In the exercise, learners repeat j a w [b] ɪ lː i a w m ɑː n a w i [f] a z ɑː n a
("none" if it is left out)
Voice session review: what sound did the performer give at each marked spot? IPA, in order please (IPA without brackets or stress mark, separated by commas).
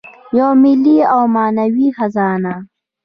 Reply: m, x